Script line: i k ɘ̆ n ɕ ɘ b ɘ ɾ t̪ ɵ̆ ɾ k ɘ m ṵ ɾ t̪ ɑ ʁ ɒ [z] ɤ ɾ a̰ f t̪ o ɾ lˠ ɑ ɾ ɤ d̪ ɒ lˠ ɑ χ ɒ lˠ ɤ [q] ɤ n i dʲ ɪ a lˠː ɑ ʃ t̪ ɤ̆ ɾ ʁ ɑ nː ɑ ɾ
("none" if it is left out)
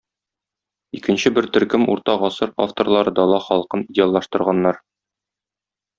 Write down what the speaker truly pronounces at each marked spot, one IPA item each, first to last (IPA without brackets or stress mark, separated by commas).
s, q